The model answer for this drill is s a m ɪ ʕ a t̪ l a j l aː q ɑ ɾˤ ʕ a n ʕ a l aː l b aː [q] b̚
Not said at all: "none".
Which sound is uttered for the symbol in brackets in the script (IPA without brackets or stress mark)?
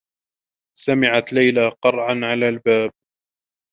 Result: none